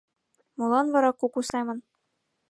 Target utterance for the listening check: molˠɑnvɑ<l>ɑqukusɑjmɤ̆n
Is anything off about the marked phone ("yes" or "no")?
yes